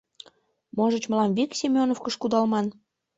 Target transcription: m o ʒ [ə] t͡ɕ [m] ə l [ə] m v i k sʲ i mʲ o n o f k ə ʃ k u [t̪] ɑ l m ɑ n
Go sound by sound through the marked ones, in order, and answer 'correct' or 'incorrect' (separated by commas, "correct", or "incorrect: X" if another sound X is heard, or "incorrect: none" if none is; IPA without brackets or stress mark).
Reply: correct, correct, incorrect: ɑ, incorrect: d̪